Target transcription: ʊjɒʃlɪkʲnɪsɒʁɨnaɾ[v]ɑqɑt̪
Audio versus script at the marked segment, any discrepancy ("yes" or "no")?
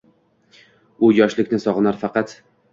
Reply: yes